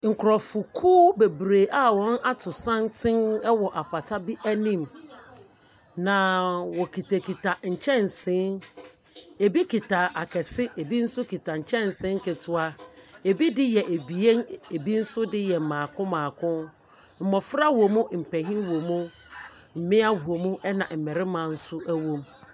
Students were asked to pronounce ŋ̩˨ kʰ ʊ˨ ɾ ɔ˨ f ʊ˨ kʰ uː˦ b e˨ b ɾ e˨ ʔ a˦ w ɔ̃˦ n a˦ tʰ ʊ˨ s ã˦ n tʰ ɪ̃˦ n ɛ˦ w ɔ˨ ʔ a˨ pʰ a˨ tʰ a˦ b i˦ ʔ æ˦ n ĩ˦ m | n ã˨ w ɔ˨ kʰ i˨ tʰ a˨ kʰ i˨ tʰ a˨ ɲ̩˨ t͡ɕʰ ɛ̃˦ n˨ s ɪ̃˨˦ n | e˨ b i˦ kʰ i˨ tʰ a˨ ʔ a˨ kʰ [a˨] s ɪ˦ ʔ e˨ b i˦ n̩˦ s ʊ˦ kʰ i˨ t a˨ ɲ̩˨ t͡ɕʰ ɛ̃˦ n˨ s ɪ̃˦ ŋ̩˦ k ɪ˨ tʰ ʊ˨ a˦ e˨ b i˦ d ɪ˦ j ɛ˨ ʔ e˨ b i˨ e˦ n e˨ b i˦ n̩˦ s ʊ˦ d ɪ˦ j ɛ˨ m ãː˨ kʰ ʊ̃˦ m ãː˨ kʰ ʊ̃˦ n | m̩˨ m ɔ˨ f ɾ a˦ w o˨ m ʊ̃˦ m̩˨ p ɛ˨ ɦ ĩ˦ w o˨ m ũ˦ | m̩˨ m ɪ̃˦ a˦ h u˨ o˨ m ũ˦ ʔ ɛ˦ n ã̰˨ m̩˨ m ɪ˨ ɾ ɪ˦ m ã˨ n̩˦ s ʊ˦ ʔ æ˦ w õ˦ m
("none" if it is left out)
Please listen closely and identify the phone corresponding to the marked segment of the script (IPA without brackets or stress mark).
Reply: ɛ˨